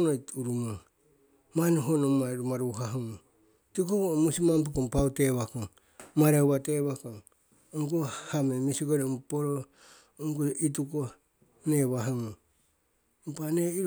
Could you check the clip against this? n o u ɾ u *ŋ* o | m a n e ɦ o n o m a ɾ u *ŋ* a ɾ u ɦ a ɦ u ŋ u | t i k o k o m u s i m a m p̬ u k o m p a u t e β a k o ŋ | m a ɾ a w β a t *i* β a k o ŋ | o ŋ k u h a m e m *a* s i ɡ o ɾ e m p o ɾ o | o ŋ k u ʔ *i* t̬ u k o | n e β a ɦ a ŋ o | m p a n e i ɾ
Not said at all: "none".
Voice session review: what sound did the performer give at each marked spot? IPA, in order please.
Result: m, m, e, i, i

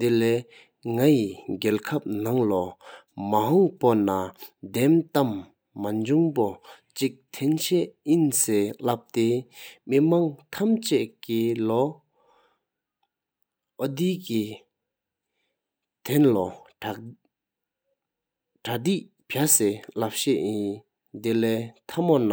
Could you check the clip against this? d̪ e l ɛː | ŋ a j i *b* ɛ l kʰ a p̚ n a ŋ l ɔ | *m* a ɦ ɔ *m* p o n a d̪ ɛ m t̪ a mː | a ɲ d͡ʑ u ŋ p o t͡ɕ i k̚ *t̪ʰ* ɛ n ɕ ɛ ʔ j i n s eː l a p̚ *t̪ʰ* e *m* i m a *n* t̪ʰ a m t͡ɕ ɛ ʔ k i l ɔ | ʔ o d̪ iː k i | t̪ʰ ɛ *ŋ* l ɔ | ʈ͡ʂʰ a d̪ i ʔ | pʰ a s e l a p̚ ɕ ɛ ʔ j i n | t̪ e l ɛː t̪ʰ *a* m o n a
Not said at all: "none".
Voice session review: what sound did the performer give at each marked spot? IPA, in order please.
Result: ɡ, m, ŋ, t̪ʰ, t̪, m, ŋ, n, a

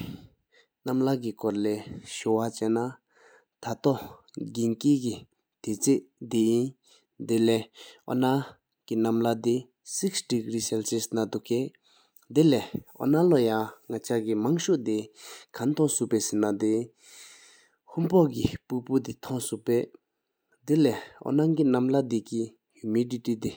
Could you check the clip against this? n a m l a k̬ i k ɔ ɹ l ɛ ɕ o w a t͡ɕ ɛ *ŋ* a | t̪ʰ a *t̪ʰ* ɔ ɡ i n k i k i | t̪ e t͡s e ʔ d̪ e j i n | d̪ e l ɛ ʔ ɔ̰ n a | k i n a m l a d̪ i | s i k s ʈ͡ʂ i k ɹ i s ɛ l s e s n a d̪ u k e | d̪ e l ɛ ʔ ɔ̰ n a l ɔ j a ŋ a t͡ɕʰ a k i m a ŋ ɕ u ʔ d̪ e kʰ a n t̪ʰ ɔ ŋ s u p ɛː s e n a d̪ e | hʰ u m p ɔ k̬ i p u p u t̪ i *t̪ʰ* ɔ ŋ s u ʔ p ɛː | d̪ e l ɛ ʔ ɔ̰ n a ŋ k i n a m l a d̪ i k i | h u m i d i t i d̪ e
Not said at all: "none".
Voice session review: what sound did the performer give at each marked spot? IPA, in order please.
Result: n, t̪, t̪ʰ

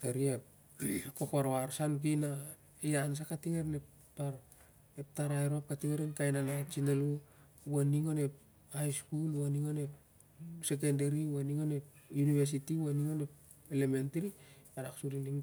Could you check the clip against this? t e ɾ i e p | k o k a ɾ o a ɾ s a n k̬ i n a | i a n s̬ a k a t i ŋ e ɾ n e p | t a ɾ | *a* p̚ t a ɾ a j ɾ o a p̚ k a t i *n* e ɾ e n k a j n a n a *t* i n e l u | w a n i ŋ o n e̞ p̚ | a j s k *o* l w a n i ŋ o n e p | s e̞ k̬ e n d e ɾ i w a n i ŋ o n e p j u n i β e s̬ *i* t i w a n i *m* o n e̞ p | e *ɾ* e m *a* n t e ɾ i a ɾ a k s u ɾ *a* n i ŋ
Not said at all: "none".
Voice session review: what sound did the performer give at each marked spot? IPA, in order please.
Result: e, ŋ, t͡ʃ, u, i, ŋ, l, e, i

